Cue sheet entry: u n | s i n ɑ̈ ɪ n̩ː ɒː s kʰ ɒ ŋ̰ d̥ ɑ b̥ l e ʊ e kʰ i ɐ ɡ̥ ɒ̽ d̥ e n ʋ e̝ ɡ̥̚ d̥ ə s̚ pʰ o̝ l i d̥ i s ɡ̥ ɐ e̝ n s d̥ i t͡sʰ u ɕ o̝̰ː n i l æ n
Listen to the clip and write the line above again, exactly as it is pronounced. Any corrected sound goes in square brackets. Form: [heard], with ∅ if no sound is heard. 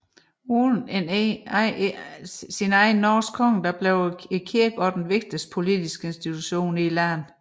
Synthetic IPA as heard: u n | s i n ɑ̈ ɪ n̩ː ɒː s kʰ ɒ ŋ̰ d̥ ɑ b̥ l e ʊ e kʰ i ɐ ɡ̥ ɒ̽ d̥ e n ʋ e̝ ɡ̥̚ d̥ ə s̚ pʰ o̝ l i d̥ i s ɡ̥ [ə] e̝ n s d̥ i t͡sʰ u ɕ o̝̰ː n i l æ n